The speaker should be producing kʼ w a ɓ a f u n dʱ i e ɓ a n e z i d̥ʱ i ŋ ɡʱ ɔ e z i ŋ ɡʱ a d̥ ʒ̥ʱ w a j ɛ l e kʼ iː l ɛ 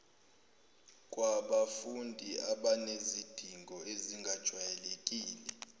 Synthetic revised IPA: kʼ w a ɓ a f u n dʱ i a ɓ a n e z i d̥ʱ i ŋ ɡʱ ɔ e z i ŋ ɡʱ a d̥ ʒ̥ʱ w a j ɛ l e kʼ iː l ɛ